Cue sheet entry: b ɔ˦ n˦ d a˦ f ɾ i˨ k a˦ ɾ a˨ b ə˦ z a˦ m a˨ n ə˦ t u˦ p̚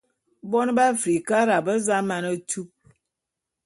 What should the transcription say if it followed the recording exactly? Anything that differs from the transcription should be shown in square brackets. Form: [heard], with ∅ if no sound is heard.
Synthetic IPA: b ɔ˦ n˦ [b] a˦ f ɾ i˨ k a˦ ɾ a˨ b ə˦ z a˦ m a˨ n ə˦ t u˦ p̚